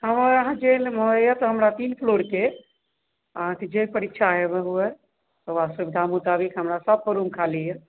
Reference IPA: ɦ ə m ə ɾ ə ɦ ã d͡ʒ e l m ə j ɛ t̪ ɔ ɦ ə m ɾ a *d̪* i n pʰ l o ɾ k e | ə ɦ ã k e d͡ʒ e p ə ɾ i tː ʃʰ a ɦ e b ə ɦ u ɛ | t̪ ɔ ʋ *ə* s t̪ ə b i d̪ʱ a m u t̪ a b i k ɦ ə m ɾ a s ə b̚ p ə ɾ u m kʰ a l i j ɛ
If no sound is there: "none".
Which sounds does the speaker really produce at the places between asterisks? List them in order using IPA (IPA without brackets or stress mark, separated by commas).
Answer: t̪, a